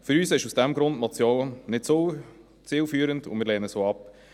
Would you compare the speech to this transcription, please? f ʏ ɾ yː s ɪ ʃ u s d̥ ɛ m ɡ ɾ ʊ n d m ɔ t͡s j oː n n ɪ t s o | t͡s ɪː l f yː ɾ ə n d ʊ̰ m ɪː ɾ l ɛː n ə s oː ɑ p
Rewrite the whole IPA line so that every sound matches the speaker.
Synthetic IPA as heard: f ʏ ɾ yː s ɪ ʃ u s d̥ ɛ m ɡ ɾ ʊ n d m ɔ t͡s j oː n n ɪ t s o | t͡s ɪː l f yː ɾ ə n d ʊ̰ m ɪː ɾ l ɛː n ə s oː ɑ p